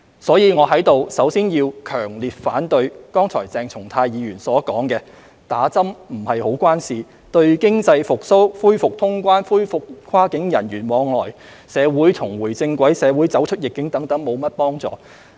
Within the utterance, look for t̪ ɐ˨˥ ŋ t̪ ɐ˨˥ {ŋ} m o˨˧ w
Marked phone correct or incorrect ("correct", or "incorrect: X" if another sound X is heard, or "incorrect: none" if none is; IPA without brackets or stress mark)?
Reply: correct